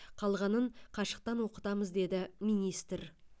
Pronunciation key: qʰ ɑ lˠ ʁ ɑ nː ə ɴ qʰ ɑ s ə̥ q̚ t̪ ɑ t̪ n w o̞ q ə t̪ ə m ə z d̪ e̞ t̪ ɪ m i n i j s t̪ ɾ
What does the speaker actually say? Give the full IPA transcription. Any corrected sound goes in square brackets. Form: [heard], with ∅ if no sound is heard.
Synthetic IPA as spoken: qʰ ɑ lˠ ʁ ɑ [n] ə ɴ qʰ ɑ [ʃ] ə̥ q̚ t̪ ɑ [∅] n w o̞ q ə t̪ [ɑ] m ə z d̪ e̞ [d̪] ɪ m i n i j s t̪ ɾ